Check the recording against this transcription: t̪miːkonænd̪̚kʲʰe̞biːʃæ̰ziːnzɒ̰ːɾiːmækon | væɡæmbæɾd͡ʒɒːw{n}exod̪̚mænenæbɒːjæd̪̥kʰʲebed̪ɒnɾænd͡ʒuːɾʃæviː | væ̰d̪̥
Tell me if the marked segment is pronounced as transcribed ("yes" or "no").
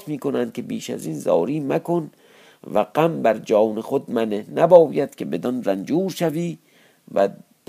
yes